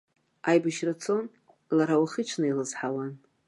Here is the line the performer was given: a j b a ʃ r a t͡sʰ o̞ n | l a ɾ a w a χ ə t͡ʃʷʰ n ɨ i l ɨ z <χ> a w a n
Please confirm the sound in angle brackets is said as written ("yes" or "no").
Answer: no